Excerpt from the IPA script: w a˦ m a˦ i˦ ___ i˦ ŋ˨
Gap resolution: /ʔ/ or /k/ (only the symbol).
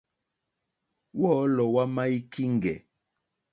k